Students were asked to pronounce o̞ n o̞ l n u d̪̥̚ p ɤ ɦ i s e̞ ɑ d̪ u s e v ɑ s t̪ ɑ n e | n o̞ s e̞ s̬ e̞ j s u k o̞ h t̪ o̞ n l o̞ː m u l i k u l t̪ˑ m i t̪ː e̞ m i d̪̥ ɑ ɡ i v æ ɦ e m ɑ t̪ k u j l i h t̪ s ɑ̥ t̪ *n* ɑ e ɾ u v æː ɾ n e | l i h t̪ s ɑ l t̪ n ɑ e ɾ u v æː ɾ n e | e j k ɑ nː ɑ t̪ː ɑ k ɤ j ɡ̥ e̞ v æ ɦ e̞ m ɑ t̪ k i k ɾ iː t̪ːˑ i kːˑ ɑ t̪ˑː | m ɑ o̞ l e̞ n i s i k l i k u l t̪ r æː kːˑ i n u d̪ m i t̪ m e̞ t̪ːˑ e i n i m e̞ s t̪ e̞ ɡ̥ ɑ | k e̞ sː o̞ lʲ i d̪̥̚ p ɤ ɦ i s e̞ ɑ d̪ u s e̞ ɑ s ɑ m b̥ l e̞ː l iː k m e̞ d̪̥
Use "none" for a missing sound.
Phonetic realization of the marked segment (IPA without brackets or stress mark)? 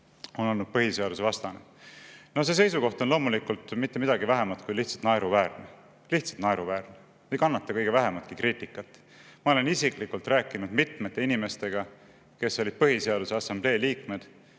n